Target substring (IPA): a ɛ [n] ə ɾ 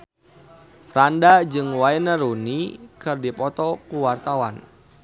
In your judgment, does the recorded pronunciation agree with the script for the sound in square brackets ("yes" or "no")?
yes